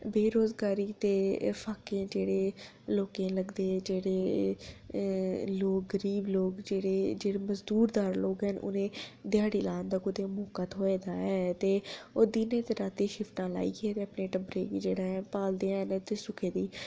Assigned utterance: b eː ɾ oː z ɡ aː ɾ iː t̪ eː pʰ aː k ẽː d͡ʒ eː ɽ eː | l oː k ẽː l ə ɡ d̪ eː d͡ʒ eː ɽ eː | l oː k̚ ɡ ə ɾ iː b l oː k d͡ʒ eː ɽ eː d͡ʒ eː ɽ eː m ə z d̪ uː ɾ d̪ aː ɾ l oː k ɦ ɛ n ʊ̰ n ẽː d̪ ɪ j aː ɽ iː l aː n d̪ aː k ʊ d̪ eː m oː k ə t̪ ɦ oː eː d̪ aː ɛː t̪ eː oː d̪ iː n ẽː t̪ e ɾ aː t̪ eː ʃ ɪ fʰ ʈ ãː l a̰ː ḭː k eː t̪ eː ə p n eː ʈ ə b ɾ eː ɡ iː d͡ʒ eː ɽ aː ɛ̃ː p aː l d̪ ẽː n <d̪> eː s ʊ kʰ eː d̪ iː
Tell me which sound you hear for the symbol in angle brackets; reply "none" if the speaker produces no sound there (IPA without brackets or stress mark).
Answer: t̪